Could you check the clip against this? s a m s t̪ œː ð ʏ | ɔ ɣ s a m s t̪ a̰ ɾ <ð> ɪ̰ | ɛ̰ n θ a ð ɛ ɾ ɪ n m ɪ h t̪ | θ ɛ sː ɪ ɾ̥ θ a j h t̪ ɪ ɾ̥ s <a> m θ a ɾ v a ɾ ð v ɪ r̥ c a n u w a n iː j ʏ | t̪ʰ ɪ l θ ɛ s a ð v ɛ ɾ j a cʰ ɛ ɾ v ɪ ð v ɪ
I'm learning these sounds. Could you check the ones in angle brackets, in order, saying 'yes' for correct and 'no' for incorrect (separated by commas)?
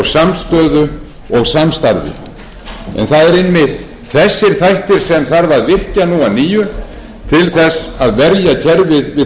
no, no